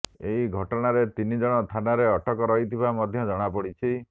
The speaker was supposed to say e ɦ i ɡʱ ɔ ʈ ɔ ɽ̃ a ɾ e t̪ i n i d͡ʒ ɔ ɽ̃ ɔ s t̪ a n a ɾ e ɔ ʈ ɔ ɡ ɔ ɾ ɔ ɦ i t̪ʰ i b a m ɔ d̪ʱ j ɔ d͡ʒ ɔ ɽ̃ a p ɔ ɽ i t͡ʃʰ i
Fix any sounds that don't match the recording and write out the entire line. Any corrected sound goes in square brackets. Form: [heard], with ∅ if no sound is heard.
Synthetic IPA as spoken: e ɦ i ɡʱ ɔ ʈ ɔ ɽ̃ a ɾ e t̪ i n i d͡ʒ ɔ ɽ̃ ɔ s [t̪ʰ] a n a ɾ e ɔ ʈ ɔ [k] ɔ ɾ ɔ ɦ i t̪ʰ i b a m ɔ d̪ʱ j ɔ d͡ʒ ɔ ɽ̃ a p ɔ ɽ i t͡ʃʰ i